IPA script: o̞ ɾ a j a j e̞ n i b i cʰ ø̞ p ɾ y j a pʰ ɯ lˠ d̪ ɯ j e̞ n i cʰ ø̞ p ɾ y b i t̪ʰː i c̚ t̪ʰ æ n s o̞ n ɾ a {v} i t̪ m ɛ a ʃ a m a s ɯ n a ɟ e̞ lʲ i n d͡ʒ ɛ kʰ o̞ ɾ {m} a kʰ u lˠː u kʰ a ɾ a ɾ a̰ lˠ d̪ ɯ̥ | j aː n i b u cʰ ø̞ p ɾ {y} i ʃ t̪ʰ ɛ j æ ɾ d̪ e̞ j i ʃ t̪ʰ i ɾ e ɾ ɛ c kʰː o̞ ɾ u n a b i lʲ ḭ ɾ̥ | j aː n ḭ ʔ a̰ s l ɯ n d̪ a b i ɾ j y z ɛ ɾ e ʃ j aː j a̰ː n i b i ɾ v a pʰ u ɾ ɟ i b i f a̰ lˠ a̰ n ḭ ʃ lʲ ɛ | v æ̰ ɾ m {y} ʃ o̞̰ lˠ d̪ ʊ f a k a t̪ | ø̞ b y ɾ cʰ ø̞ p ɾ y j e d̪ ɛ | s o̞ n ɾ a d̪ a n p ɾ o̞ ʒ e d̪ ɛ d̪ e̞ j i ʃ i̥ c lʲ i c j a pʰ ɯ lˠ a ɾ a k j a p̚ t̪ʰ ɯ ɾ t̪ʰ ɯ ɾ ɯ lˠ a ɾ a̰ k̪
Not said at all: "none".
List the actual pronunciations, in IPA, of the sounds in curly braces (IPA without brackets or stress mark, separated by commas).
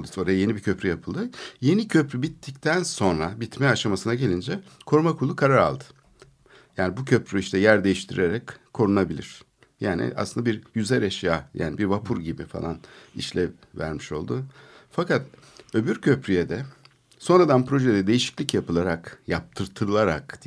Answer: b, m, y, i